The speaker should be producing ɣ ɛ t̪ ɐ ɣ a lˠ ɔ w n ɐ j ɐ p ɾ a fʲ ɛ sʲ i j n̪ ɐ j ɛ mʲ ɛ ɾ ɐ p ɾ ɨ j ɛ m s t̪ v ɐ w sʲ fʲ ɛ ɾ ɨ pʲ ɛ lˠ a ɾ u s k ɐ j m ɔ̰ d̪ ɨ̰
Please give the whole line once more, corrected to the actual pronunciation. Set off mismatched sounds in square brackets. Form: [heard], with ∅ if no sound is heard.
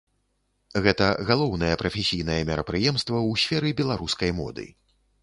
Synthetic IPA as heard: ɣ ɛ t̪ ɐ ɣ a lˠ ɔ w n ɐ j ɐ p ɾ [ɐ] fʲ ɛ sʲ i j n̪ ɐ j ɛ mʲ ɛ ɾ ɐ p ɾ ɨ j ɛ m s t̪ v ɐ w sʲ fʲ ɛ ɾ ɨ [bʲ] ɛ lˠ a ɾ u s k ɐ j m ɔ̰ d̪ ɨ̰

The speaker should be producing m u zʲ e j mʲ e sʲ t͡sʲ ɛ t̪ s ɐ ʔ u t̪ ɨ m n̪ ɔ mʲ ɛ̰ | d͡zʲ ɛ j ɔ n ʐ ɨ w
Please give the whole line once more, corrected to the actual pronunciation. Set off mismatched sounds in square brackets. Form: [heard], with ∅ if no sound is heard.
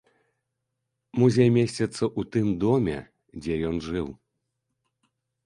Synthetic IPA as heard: m u zʲ e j mʲ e sʲ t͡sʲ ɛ t̪ s ɐ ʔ u t̪ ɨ m [d̪] ɔ mʲ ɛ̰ | d͡zʲ ɛ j ɔ n ʐ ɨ w

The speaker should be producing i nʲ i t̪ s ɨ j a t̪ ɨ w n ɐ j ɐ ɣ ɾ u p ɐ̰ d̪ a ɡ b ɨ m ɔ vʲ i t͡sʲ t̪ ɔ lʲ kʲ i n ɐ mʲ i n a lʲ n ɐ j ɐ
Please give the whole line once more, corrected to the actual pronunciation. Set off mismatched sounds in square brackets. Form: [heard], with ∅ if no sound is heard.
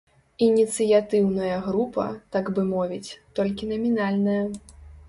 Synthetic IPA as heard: i nʲ i t̪ s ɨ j a t̪ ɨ w n ɐ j ɐ ɣ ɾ u p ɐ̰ [t̪] a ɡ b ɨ m ɔ vʲ i t͡sʲ t̪ ɔ lʲ kʲ i n ɐ mʲ i n a lʲ n ɐ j ɐ

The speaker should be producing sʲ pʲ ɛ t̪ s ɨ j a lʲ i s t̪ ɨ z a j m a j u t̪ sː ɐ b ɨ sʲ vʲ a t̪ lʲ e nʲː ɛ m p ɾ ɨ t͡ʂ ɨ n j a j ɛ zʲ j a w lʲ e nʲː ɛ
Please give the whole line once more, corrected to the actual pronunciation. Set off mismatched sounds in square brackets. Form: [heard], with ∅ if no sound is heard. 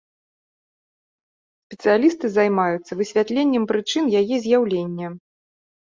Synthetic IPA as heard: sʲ pʲ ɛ t̪ s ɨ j a lʲ i s t̪ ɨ z a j m a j u t̪ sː ɐ [v] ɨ sʲ vʲ a t̪ lʲ e nʲː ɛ m p ɾ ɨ t͡ʂ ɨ n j a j ɛ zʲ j a w lʲ e nʲː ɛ

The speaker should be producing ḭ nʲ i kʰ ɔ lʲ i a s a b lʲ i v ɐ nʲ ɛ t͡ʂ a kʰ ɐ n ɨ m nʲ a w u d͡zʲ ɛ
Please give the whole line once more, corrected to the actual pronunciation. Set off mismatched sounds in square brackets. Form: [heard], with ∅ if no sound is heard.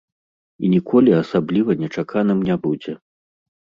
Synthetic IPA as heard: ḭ nʲ i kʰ ɔ lʲ i a s a b lʲ i v ɐ nʲ ɛ t͡ʂ a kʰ [a] n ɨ m nʲ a [b] u d͡zʲ ɛ

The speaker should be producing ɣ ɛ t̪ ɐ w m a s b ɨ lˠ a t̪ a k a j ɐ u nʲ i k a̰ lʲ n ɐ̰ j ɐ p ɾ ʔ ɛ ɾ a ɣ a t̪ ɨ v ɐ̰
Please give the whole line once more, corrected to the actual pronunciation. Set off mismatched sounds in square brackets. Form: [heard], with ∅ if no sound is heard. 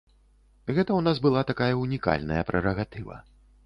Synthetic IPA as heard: ɣ ɛ t̪ ɐ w [n] a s b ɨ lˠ a t̪ a k a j ɐ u nʲ i k a̰ lʲ n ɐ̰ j ɐ p ɾ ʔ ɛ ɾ [ɐ] ɣ a t̪ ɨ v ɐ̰

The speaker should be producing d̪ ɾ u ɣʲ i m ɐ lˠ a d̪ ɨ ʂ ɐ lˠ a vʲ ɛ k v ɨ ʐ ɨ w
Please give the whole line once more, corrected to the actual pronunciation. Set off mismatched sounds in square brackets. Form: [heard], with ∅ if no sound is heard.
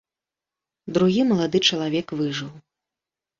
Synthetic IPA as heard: d̪ ɾ u ɣʲ i m ɐ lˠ a d̪ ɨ [t͡ʂ] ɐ lˠ a vʲ ɛ k v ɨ ʐ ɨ w

